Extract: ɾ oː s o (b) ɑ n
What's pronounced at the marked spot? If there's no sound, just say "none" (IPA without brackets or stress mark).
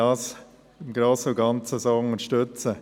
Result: ɡ